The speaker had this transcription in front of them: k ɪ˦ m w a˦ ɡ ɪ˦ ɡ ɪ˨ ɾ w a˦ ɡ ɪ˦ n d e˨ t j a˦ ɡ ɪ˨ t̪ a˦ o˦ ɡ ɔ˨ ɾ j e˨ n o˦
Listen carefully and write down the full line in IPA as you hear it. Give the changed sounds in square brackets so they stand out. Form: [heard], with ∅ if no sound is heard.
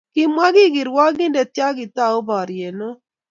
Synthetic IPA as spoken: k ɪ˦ m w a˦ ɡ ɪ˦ ɡ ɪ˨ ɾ w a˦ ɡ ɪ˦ n d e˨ t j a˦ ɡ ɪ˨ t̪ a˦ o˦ [b] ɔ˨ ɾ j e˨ n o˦